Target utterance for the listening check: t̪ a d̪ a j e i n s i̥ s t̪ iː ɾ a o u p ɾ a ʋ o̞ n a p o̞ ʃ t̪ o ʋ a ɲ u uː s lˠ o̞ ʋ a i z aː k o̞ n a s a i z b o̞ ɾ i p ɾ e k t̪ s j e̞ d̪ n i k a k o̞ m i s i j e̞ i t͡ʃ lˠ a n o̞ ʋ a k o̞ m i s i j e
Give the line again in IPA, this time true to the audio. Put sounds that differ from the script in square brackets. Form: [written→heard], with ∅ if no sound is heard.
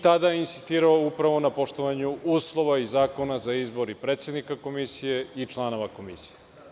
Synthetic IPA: t̪ a d̪ a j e i n s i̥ s t̪ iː ɾ a o u p ɾ a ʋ o̞ n a p o̞ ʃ t̪ o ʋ a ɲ u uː s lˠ o̞ ʋ a i z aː k o̞ n a [s→z] a i z b o̞ ɾ i p ɾ e [k→∅] t̪ s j e̞ d̪ n i k a k o̞ m i s i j e̞ i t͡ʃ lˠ a n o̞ ʋ a k o̞ m i s i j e

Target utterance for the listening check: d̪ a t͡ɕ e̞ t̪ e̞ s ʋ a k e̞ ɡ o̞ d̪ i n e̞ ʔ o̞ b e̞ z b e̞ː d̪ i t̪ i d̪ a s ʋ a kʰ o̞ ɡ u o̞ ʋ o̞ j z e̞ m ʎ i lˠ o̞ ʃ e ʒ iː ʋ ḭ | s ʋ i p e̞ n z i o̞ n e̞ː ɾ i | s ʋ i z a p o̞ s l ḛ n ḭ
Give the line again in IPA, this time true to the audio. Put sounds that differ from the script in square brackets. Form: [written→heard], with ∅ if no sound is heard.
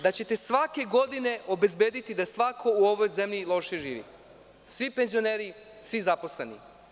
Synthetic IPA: d̪ a t͡ɕ e̞ t̪ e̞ s ʋ a k e̞ ɡ o̞ d̪ i n e̞ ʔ o̞ b e̞ z b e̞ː d̪ i t̪ i d̪ a s ʋ a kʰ o̞ [ɡ→∅] u o̞ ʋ o̞ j z e̞ m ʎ i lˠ o̞ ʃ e ʒ iː ʋ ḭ | s ʋ i p e̞ n z i o̞ n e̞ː ɾ i | s ʋ i z a p o̞ s l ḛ n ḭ

